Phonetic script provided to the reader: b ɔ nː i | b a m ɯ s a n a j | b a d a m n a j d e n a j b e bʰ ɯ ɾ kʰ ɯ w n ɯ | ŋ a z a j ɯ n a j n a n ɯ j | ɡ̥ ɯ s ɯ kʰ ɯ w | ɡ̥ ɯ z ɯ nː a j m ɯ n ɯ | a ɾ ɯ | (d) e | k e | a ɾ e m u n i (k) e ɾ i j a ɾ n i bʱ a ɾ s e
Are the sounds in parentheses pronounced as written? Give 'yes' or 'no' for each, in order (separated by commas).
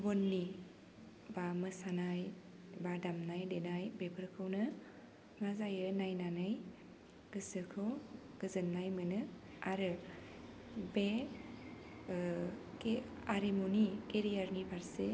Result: no, yes